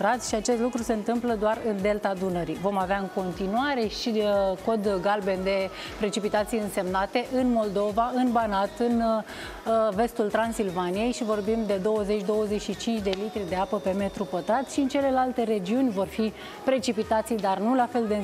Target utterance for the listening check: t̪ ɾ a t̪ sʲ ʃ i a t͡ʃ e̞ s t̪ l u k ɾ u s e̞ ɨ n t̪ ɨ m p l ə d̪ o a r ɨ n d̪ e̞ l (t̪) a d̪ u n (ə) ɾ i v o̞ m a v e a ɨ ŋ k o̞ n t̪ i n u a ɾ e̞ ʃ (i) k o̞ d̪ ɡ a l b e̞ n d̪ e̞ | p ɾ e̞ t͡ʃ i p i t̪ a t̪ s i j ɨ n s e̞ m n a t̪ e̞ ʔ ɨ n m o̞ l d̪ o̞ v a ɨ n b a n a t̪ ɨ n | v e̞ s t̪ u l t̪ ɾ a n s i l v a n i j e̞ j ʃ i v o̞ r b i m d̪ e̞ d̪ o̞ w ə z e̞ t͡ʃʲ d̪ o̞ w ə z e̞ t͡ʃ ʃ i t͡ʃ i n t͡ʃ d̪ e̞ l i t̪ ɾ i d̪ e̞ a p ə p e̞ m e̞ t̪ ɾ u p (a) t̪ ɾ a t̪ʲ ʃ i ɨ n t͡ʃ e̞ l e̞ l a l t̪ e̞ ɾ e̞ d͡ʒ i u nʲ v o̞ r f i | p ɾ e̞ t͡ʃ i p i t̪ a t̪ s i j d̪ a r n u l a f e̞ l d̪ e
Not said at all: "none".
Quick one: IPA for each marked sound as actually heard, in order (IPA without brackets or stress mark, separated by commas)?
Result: t̪, ə, i, ə